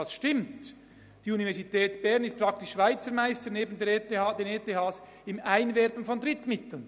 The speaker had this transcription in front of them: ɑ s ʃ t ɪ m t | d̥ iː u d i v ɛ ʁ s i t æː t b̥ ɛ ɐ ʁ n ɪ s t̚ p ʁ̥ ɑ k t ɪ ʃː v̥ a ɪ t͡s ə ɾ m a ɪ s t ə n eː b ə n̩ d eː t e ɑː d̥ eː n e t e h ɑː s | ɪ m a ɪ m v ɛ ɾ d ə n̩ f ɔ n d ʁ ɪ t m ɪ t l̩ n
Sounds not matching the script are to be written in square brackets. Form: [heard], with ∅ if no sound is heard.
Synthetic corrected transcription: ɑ s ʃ t ɪ m t | d̥ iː u [n] i v ɛ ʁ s i t [ɛː] t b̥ ɛ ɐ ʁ n ɪ s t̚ p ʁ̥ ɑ k t ɪ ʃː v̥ a ɪ t͡s ə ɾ m a ɪ s t ə n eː b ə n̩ d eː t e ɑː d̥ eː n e t e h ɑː s | ɪ m a ɪ [n] v ɛ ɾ [b] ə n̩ f ɔ n d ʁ ɪ t m ɪ t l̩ n

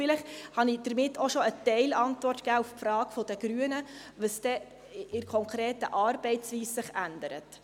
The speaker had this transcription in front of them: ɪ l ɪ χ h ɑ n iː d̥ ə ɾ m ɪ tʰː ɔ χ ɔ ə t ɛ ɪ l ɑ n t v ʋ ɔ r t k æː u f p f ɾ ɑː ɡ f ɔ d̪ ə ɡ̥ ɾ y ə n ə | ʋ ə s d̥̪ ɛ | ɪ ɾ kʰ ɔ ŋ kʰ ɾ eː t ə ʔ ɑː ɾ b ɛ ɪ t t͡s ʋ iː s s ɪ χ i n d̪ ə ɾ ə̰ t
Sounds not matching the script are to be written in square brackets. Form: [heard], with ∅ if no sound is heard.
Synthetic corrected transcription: ɪ l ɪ χ h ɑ n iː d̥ ə ɾ m ɪ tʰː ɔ [ʃ] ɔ ə t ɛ ɪ l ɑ n t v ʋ ɔ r t k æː u f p f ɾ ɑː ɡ f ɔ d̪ ə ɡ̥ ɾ y ə n ə | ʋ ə s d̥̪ ɛ | ɪ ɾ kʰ ɔ ŋ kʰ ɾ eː t ə ʔ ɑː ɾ b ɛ ɪ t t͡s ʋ iː s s ɪ χ [æ] n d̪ ə ɾ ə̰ t

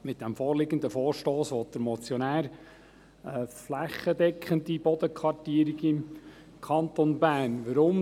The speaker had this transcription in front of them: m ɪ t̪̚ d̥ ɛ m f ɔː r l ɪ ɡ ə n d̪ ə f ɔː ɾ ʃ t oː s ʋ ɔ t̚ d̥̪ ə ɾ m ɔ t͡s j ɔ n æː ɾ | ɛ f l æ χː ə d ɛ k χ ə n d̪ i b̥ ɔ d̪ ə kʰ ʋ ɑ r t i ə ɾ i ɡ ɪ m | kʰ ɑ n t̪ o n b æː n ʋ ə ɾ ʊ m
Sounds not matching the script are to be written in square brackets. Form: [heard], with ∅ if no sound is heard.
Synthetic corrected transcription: m ɪ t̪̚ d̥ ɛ m f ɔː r l ɪ ɡ ə n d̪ ə f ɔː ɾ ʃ t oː s ʋ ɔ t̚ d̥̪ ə ɾ m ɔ t͡s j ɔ n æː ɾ | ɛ f l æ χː ə d ɛ k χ ə n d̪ i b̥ ɔ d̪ ə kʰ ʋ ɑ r t i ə ɾ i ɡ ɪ m | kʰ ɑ n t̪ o n b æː n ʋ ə ɾ ʊ m

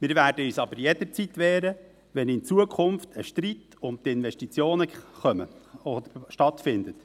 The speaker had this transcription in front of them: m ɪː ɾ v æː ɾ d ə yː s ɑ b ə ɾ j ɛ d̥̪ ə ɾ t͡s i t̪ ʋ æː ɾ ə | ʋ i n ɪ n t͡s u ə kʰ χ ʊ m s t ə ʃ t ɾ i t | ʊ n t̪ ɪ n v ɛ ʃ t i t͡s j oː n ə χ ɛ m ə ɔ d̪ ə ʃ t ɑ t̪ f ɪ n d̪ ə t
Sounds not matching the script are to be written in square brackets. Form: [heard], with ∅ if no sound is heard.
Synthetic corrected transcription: m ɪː ɾ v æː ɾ d ə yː s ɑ b ə ɾ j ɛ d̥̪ ə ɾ t͡s i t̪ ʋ [ɛː] ɾ ə | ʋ [ɛ] n ɪ n t͡s u ə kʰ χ ʊ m [f] t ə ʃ t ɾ i t | ʊ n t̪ ɪ n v ɛ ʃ t i t͡s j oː n ə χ [œ] m ə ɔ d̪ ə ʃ t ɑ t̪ f ɪ n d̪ ə t

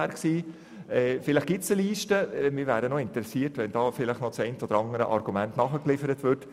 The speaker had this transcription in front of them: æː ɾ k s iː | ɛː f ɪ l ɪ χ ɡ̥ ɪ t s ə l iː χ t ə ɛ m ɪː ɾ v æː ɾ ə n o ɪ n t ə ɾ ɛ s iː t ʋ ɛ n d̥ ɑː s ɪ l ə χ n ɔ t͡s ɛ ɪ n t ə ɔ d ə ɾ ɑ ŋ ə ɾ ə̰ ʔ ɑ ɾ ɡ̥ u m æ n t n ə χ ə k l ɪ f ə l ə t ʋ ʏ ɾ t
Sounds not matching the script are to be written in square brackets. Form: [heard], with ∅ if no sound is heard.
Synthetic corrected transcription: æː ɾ k s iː | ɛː f ɪ l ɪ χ ɡ̥ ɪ t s ə l iː [ʃ] t ə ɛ m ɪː ɾ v æː ɾ ə n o ɪ n t ə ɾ ɛ s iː t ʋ ɛ n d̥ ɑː [f] ɪ l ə χ n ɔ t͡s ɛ ɪ n t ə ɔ d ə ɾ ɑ ŋ ə ɾ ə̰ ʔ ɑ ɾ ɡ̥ u m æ n t n [ɑ] χ ə k l ɪ f ə [ɾ] ə t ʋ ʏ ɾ t

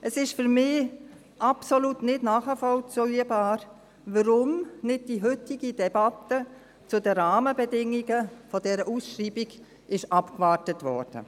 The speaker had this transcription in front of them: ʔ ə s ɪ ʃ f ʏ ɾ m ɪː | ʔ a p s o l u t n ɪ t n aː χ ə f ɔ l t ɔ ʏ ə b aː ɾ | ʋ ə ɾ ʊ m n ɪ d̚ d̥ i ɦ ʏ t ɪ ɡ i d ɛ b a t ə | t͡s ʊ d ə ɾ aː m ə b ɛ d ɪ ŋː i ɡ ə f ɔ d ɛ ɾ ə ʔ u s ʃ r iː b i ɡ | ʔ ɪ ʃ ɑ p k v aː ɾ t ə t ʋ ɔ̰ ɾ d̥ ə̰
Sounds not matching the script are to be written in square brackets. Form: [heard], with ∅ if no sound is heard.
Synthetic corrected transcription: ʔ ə s ɪ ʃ f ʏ ɾ m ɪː | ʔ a p s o l u t n ɪ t n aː χ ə f ɔ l [t͡s] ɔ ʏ ə b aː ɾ | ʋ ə ɾ ʊ m n ɪ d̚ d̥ i ɦ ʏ t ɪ ɡ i d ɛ b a t ə | t͡s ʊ d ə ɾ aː m ə b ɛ d ɪ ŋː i ɡ ə f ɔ d ɛ ɾ ə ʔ u s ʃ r iː b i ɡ | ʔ ɪ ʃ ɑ p k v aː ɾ t ə t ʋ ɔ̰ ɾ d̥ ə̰

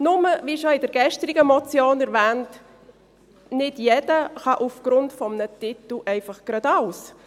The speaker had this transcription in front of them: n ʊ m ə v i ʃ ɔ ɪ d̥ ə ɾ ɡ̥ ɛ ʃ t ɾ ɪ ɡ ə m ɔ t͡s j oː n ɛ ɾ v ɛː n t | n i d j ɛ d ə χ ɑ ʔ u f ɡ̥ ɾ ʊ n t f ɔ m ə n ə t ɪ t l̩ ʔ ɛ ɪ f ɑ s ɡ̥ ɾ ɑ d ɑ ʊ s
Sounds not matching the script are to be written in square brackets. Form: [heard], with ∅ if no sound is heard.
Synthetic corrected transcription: n ʊ m ə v i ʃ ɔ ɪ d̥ ə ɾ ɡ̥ ɛ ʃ t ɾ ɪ ɡ ə m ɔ t͡s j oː n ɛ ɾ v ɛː n t | n [ɪ] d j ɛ d ə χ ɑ ʔ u f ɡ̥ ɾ ʊ n t f ɔ m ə n ə t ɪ t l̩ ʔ ɛ ɪ f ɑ [χ] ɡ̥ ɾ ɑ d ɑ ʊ s

